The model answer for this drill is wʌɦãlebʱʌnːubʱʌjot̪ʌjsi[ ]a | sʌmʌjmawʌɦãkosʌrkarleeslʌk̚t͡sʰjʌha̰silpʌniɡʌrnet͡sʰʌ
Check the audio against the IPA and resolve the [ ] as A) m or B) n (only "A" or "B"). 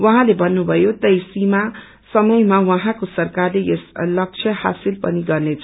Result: A